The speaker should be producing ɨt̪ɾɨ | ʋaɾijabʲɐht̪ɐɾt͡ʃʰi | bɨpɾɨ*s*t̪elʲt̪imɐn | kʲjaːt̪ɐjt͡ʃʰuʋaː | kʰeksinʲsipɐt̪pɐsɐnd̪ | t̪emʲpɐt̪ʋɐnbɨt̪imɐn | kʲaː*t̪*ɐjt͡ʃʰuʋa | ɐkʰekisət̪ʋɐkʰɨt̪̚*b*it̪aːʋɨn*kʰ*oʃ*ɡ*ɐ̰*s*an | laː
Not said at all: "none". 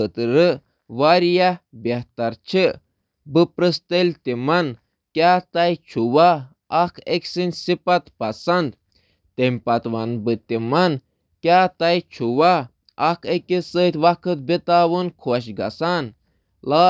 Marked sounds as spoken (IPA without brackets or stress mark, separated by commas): s, t̪, b, kʰ, ɡ, s